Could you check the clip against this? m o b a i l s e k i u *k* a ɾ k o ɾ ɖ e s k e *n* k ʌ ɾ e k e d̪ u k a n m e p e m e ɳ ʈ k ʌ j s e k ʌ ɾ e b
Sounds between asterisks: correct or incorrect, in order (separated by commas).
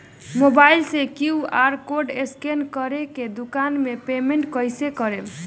incorrect, correct